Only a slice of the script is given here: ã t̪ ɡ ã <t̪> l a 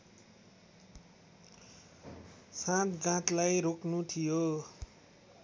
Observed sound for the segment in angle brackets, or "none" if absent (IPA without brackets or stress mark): t̪